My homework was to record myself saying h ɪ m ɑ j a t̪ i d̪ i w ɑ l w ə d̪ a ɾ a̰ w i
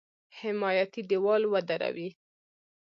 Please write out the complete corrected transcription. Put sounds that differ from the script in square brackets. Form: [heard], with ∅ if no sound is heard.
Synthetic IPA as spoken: h ɪ m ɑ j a t̪ i d̪ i w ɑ l w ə d̪ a ɾ a̰ w i